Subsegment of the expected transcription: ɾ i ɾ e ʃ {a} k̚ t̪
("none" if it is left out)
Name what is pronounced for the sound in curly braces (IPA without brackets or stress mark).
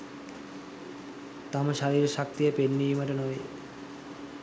a